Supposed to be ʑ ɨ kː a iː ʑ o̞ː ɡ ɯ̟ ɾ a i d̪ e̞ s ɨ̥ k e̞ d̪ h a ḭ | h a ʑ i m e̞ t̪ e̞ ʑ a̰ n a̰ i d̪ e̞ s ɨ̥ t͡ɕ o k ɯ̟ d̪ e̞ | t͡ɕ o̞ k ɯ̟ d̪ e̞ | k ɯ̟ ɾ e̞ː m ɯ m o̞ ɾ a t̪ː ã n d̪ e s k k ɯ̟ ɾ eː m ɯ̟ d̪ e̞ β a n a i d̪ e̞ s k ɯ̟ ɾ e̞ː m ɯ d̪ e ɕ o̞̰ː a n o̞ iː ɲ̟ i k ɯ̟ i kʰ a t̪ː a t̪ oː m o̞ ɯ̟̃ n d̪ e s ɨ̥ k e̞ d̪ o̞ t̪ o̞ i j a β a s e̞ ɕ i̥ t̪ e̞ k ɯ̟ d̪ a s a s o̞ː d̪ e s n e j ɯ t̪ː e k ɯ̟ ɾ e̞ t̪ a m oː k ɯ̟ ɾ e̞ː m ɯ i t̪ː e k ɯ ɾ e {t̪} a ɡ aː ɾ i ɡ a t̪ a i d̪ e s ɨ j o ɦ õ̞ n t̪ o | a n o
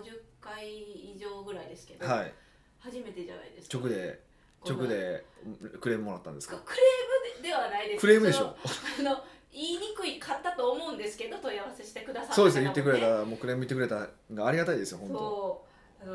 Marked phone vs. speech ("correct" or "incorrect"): correct